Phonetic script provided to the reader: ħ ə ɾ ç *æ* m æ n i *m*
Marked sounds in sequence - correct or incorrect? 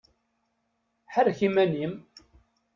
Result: incorrect: i, correct

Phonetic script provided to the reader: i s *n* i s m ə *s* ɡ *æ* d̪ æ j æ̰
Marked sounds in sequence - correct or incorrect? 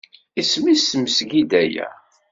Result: incorrect: m, correct, incorrect: i

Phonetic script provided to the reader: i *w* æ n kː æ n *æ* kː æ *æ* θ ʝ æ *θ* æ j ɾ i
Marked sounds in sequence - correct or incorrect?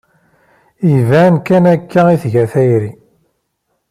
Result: incorrect: v, correct, incorrect: i, correct

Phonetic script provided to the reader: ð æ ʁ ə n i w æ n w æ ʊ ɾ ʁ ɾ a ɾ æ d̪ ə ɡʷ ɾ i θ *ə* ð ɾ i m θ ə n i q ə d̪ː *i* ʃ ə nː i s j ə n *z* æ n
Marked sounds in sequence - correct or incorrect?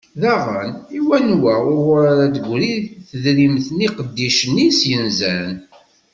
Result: correct, correct, correct

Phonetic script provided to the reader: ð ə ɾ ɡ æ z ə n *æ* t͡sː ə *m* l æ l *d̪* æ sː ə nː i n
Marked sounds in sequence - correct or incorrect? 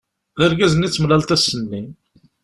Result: incorrect: i, correct, incorrect: t̪

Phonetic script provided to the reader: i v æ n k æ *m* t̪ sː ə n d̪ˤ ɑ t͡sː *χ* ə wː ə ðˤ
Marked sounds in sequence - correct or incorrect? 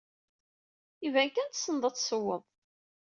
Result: incorrect: n, incorrect: s

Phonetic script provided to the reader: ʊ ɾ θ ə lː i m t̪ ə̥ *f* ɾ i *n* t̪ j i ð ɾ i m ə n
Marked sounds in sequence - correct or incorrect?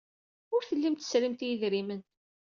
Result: incorrect: s, incorrect: m

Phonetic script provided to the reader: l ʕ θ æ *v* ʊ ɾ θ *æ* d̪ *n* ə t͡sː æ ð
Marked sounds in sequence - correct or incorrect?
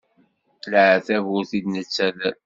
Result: correct, incorrect: i, correct

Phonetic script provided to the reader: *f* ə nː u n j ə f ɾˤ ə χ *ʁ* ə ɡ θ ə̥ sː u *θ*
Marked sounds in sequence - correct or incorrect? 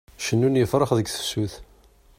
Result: incorrect: ʃ, incorrect: ð, correct

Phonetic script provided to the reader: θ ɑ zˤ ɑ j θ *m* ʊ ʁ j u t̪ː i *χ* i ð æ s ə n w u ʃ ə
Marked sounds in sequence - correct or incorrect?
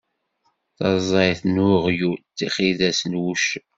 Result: incorrect: n, correct

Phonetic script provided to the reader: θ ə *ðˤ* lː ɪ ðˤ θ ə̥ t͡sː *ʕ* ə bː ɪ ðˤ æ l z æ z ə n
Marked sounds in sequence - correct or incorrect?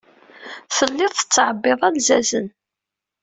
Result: incorrect: none, correct

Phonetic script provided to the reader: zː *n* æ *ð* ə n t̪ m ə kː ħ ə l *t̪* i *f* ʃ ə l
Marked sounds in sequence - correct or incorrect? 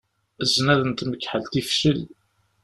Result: correct, correct, correct, correct

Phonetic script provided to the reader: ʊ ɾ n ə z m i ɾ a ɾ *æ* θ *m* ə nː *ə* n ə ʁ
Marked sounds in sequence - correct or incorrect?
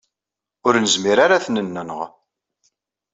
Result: incorrect: a, incorrect: n, correct

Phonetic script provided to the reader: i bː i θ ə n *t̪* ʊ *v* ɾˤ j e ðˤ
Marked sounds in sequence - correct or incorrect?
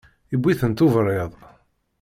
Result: correct, correct

